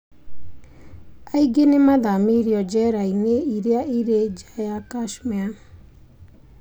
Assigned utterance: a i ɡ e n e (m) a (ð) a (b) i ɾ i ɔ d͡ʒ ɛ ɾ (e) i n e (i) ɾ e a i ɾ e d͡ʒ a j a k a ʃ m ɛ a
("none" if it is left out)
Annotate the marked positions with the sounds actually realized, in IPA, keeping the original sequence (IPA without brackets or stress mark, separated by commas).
m, ð, m, a, i